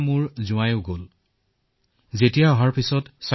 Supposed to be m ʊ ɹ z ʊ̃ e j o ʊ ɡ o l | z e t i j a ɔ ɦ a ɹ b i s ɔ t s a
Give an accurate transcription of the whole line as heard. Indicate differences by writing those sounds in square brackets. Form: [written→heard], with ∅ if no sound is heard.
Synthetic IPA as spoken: m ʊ ɹ z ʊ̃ [e→a] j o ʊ ɡ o l | z e t i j a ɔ ɦ a ɹ [b→p] i s ɔ t s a